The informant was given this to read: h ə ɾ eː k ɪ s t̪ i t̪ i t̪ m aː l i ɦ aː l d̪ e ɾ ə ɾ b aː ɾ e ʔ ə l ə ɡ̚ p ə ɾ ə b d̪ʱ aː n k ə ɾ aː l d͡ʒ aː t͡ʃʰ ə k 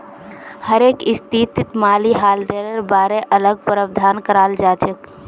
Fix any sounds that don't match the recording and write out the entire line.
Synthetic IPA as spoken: h ə ɾ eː k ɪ s t̪ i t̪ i t̪ m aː l i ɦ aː l d̪ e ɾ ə ɾ b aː ɾ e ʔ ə l ə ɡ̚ p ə ɾ ə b d̪ʱ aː n k ə ɾ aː l d͡ʒ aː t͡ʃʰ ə k